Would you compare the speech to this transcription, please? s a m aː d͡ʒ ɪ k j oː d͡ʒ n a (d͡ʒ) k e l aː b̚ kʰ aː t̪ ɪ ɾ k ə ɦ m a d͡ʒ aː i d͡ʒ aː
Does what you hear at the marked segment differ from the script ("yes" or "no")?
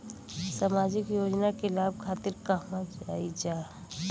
yes